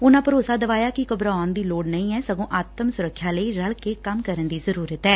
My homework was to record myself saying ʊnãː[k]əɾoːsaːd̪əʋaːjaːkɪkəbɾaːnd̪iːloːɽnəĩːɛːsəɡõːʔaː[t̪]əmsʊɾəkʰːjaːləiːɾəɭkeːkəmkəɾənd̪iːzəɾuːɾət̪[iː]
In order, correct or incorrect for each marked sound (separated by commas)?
incorrect, correct, incorrect